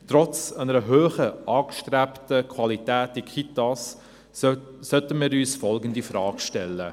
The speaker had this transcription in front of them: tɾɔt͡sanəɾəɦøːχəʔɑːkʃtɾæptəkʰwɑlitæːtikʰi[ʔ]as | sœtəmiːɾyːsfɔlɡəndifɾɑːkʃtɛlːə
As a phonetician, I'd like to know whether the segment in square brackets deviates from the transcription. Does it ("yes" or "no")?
yes